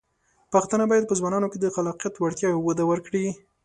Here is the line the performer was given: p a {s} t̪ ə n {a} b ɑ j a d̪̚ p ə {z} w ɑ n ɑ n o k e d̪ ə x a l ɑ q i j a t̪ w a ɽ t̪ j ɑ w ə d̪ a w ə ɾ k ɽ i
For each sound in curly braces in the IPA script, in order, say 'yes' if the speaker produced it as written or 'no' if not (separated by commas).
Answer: no, yes, yes